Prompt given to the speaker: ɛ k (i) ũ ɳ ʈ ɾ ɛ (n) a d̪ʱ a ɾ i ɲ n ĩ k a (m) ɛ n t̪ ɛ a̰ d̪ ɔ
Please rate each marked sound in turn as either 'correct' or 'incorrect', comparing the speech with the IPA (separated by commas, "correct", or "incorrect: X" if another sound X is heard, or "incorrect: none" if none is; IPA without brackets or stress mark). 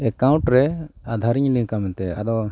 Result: incorrect: a, incorrect: none, correct